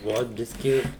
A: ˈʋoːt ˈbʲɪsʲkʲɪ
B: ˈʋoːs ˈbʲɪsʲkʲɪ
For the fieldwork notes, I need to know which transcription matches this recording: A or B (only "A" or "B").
A